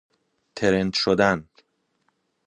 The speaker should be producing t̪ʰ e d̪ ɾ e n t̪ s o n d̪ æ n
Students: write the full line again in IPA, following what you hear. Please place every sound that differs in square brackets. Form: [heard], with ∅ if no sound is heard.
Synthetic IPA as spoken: t̪ʰ e [∅] ɾ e n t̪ [ʃ] o [∅] d̪ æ n